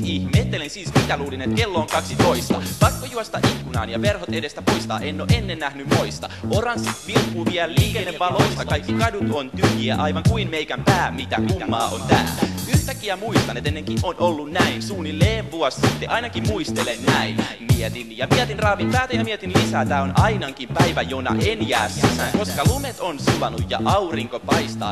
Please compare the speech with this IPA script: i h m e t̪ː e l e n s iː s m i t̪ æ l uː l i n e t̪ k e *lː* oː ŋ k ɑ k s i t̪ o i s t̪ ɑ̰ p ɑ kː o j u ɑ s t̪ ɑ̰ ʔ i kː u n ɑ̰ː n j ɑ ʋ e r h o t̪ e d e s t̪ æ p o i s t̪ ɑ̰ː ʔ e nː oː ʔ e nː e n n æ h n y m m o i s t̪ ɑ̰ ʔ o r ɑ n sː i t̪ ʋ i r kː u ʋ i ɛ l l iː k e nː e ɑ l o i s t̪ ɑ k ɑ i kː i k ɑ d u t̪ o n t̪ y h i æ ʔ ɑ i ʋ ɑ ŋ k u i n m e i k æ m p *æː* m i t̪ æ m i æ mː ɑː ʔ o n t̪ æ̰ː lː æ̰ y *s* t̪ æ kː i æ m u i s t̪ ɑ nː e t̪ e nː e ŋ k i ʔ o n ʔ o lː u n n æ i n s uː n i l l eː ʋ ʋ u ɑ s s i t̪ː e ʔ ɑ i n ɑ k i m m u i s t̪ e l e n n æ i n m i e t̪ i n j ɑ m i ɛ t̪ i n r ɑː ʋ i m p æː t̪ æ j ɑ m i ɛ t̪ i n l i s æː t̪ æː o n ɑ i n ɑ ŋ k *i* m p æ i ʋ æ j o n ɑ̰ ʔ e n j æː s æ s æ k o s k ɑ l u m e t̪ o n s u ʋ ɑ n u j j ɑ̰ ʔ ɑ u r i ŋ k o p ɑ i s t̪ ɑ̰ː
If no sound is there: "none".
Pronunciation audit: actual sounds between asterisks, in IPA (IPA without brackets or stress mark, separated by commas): lː, æː, h, i